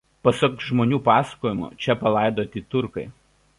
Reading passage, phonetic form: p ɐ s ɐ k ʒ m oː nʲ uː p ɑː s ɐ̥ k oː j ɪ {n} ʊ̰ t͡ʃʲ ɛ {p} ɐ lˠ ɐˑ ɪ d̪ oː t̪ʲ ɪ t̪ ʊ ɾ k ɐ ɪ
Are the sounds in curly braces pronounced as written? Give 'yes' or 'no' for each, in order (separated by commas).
no, yes